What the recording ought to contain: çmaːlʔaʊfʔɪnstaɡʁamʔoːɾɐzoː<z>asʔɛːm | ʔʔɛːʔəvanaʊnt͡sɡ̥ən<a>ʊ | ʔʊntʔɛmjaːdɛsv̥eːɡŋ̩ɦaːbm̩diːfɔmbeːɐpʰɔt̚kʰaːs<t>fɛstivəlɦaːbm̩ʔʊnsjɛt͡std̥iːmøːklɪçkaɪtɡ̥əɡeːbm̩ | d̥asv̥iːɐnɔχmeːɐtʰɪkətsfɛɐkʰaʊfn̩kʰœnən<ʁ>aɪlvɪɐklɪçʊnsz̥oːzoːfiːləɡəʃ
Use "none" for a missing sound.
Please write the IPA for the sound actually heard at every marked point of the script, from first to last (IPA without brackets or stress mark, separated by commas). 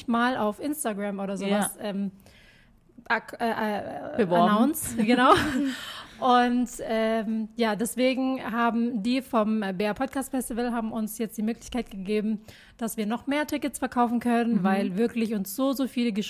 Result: v, a, t, v